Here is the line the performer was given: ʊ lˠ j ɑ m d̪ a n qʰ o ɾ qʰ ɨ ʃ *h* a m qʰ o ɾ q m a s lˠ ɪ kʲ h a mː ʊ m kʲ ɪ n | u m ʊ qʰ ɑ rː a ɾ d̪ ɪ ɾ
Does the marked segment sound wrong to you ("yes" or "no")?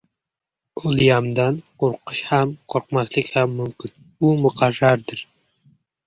no